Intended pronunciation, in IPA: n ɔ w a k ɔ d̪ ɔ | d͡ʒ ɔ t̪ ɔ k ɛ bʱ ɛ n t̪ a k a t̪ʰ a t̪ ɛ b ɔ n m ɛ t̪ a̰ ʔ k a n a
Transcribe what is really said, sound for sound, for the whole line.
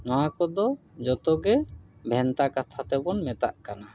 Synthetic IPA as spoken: n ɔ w a k ɔ d̪ ɔ | d͡ʒ ɔ t̪ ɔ ɡ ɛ bʱ ɛ n t̪ a k a t̪ʰ a t̪ ɛ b ɔ n m ɛ t̪ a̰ ʔ k a n a

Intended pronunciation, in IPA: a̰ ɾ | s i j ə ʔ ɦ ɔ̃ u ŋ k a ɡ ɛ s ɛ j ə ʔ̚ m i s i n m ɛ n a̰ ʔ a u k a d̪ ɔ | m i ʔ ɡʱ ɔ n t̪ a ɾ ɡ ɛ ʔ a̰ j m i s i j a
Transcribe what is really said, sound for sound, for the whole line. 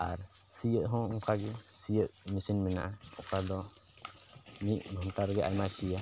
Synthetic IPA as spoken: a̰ ɾ | s i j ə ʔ ɦ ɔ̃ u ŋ k a ɡ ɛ s i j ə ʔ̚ m i s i n m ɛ n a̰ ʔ a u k a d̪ ɔ | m i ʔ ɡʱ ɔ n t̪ a ɾ ɡ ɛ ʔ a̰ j m a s i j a

